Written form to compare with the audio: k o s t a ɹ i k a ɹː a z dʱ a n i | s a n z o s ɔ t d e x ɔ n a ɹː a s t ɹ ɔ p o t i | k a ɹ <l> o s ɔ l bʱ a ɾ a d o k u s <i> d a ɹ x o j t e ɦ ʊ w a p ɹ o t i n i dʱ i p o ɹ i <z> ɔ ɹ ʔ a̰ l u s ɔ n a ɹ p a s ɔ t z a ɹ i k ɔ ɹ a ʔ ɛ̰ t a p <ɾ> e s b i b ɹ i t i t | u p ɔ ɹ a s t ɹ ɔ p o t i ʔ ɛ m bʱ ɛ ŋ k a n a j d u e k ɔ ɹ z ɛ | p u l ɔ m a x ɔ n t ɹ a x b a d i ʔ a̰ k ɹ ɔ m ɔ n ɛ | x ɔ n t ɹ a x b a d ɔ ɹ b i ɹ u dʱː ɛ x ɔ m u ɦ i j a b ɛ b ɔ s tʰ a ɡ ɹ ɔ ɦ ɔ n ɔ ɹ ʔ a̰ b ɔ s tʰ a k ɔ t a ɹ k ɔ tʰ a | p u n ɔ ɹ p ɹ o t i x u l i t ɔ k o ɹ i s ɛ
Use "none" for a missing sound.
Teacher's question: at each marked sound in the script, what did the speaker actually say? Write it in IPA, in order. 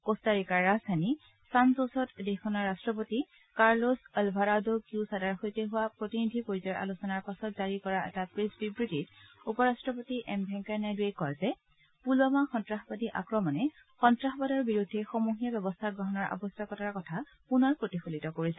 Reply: l, a, z, ɹ

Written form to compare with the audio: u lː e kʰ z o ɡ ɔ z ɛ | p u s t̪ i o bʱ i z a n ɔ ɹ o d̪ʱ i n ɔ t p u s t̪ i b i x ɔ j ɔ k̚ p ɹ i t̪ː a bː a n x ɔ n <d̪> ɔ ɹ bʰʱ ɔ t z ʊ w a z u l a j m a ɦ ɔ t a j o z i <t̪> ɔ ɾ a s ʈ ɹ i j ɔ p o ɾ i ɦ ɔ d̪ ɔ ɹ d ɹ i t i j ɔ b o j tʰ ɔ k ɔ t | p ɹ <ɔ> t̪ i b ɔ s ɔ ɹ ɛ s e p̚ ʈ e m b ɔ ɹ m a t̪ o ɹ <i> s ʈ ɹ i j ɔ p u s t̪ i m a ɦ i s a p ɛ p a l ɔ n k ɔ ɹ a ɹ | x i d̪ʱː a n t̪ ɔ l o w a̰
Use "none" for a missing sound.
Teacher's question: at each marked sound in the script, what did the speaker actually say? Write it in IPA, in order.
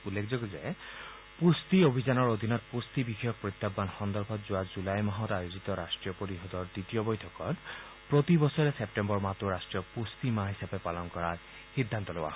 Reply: d̪, t̪, o, a

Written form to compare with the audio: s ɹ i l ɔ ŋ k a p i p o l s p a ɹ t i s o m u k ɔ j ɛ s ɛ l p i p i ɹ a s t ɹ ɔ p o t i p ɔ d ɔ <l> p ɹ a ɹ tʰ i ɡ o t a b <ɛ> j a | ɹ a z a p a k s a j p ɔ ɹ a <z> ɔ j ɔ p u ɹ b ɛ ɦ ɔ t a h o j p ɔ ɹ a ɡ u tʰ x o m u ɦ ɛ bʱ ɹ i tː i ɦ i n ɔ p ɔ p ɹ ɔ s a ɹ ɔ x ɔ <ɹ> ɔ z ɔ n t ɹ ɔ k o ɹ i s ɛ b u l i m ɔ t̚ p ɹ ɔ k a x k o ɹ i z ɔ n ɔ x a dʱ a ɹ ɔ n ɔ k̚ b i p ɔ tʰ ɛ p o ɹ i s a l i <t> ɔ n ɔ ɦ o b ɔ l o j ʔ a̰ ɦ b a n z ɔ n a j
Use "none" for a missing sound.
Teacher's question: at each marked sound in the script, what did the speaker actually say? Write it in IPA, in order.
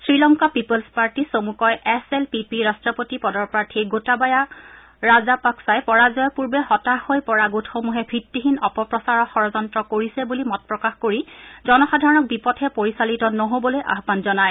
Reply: ɹ, a, z, ɹ, t

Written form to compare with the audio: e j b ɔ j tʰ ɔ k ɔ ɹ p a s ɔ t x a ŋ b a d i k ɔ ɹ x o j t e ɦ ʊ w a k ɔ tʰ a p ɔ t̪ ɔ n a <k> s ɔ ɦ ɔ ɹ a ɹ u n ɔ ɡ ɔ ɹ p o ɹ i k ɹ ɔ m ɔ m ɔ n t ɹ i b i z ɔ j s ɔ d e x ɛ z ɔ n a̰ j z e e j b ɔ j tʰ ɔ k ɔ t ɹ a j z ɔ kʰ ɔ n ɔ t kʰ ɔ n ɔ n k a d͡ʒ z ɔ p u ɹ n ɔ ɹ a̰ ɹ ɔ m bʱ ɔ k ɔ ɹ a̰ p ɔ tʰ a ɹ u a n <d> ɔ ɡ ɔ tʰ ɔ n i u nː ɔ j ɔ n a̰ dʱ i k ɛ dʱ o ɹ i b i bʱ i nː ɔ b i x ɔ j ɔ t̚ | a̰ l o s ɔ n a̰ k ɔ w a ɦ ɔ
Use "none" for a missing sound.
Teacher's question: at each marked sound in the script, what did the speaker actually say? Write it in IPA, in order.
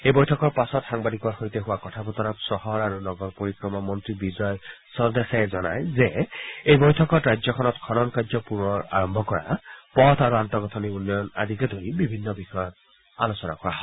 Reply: p, t

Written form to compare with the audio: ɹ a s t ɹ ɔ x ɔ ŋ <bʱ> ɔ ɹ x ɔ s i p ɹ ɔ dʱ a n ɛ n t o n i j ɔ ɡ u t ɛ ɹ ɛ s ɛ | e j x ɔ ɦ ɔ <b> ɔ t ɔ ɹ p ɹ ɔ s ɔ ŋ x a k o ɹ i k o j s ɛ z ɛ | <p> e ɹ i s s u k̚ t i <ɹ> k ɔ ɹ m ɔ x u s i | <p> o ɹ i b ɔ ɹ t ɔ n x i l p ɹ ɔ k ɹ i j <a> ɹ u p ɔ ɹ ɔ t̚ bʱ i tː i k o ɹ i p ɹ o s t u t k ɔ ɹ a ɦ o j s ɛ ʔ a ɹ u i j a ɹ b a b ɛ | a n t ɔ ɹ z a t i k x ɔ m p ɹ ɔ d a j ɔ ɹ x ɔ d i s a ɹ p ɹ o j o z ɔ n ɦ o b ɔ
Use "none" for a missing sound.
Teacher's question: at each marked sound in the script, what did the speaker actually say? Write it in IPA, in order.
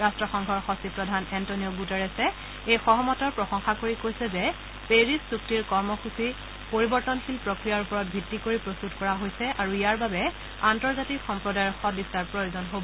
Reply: ɡʱ, m, p, ɹ, p, a

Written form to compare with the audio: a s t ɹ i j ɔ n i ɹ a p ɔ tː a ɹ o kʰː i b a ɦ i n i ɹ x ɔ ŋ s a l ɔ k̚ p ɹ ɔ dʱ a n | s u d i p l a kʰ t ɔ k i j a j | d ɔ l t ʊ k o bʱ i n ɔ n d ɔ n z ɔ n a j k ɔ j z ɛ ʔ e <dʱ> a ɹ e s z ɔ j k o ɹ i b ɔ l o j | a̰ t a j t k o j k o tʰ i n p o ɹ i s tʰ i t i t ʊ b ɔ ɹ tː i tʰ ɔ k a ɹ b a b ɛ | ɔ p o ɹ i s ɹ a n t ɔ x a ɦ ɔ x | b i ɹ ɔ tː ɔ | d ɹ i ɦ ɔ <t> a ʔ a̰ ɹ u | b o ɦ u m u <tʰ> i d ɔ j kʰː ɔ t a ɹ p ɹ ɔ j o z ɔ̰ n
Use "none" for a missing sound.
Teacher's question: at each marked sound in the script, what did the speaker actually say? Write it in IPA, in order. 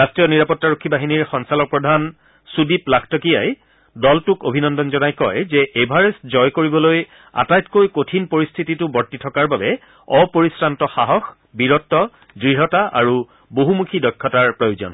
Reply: bʱ, t, kʰ

